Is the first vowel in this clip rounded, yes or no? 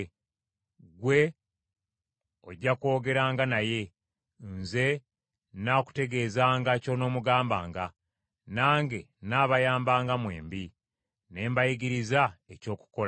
no